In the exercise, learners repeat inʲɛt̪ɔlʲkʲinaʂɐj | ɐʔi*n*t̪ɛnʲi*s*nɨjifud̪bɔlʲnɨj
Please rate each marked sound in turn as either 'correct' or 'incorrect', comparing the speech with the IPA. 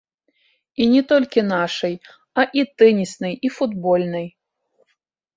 incorrect: none, correct

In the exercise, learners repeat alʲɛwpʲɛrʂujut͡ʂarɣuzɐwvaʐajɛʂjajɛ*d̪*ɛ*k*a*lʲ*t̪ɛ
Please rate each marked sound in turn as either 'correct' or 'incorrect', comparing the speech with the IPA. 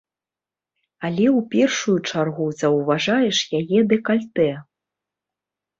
correct, correct, correct

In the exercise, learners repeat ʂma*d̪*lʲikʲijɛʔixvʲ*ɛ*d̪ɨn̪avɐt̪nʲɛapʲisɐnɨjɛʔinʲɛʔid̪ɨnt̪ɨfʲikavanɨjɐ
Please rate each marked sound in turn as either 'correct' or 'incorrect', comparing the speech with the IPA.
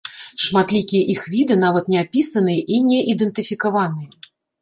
incorrect: t̪, incorrect: i

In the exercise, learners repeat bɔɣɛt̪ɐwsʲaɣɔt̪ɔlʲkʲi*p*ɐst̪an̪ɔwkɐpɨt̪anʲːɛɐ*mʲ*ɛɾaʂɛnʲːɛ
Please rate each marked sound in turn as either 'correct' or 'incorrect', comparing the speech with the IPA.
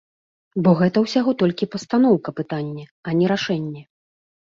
correct, incorrect: nʲ

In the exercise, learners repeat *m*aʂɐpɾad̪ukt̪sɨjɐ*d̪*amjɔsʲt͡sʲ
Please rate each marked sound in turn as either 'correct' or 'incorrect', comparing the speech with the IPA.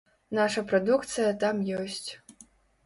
incorrect: n, incorrect: t̪

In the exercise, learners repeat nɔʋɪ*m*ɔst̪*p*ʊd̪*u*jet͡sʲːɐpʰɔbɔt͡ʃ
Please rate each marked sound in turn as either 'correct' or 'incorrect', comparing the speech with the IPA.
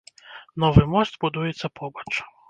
correct, incorrect: b, correct

